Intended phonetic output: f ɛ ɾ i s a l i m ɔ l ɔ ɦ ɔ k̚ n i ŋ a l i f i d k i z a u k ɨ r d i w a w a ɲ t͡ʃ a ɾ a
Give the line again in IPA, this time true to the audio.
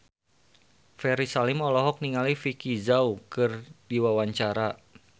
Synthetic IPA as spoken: f ɛ ɾ i s a l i m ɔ l ɔ ɦ ɔ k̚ n i ŋ a l i f i k i z a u k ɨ r d i w a w a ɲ t͡ʃ a ɾ a